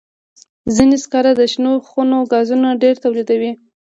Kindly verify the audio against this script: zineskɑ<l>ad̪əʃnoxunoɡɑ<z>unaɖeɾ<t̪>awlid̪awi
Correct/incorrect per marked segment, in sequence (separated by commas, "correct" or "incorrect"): incorrect, correct, correct